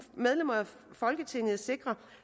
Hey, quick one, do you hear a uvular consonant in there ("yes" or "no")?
yes